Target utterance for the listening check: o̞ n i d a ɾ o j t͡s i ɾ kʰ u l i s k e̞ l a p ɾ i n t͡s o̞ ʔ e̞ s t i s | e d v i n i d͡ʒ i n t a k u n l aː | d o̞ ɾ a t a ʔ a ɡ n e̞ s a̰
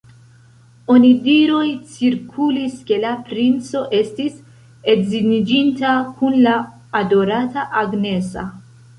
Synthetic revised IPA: o̞ n i d i ɾ o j t͡s i ɾ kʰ u l i s k e̞ l a p ɾ i n t͡s o̞ ʔ e̞ s t i s | e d z i n i d͡ʒ i n t a k u n l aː | d o̞ ɾ a t a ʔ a ɡ n e̞ s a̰